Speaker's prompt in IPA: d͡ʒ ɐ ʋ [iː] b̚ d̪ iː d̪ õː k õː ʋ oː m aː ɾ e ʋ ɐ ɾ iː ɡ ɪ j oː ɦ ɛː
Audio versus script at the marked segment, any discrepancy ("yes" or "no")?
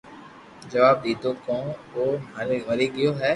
yes